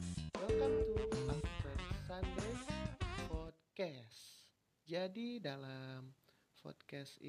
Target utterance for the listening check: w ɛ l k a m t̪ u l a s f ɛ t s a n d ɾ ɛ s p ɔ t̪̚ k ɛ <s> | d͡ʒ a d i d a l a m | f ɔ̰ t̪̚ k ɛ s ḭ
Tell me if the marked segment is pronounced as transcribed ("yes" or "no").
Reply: yes